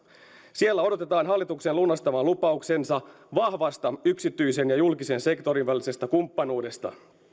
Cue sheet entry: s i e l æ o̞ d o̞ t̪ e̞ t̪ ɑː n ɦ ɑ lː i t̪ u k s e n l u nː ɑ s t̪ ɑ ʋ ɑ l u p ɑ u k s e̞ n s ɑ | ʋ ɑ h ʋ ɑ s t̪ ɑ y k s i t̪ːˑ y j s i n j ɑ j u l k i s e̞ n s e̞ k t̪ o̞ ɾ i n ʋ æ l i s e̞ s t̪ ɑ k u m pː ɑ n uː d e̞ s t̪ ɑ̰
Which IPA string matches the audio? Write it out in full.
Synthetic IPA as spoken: s i e lː æ o̞ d o̞ t̪ e̞ t̪ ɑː n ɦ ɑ lː i t̪ u k s e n l u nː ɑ s t̪ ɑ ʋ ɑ l u p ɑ u k s e̞ n s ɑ | ʋ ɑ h ʋ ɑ s t̪ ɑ y k s i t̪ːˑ y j s e n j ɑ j u l k i s e̞ n s e̞ k t̪ o̞ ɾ i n ʋ æ l i s e̞ s t̪ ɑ k u m pː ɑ n uː d e̞ s t̪ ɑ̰